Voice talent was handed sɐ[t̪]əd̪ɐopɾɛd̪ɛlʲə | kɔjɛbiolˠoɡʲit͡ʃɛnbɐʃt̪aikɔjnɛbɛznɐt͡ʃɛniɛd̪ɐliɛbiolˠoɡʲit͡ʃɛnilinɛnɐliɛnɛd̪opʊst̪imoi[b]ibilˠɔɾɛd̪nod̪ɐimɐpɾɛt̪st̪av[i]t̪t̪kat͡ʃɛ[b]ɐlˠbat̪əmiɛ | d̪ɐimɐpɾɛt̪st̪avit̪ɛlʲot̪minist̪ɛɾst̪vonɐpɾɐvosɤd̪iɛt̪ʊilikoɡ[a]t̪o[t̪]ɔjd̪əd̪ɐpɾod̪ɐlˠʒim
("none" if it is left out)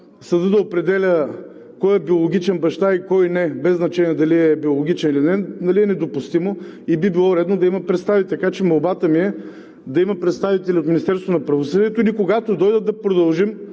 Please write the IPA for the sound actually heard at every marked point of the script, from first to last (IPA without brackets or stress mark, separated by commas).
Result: d̪, b, i, m, a, d̪